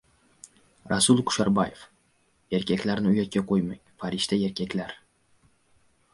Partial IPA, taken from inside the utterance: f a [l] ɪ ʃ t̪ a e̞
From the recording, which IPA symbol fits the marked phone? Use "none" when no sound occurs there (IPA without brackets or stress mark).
ɾ